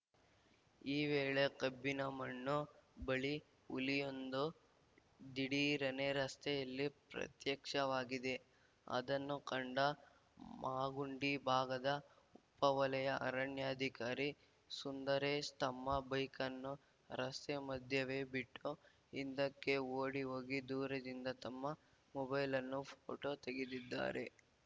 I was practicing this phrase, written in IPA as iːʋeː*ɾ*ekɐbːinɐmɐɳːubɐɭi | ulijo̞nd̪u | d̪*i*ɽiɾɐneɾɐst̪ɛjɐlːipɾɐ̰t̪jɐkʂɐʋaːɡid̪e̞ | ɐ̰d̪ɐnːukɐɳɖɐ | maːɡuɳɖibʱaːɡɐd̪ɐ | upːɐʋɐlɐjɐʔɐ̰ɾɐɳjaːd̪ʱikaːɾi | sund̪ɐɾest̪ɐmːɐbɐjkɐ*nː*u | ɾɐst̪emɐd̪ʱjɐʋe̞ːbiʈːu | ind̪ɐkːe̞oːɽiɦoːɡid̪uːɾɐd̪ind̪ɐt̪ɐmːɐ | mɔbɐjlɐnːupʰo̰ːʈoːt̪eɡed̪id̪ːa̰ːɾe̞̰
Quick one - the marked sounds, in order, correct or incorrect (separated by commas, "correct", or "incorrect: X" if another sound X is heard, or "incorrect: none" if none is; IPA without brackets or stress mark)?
incorrect: ɭ, correct, correct